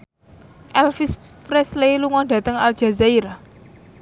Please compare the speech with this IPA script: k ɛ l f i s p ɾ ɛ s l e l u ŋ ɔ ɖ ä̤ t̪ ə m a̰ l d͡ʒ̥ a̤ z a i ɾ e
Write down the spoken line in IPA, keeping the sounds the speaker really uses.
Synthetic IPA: ʔ ɛ l f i s p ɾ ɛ s l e l u ŋ ɔ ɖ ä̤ t̪ ə ŋ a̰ l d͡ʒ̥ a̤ z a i ɾ a